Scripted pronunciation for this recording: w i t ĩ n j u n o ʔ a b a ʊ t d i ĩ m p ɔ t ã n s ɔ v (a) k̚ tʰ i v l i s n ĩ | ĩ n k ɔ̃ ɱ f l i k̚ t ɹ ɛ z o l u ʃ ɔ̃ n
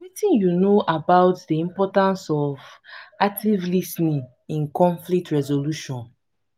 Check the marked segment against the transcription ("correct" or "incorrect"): correct